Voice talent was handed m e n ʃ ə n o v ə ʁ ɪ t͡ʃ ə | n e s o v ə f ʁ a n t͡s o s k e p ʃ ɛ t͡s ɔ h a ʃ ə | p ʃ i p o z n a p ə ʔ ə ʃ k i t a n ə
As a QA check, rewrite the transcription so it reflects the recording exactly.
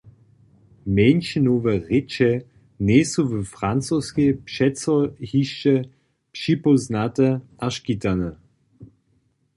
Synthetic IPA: m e n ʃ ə n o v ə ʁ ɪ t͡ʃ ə | n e s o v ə f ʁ a n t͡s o s k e p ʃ ɛ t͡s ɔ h i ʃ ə | p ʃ i p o z n a t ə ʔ a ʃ k i t a n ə